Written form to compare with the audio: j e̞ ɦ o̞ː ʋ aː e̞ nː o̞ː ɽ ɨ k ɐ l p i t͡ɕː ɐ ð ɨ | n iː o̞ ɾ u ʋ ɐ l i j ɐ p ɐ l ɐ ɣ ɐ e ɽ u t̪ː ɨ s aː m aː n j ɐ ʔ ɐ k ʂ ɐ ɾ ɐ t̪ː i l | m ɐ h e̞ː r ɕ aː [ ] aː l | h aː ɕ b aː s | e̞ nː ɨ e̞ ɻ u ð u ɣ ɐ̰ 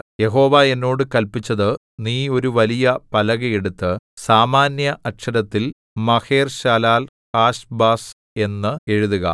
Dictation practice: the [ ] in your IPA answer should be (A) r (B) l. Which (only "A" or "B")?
B